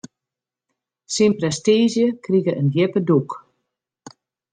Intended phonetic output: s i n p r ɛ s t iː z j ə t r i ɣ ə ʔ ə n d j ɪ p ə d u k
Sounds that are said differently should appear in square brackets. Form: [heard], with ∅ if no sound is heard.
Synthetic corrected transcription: s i n p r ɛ s t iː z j ə [k] r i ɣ ə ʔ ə n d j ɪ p ə d u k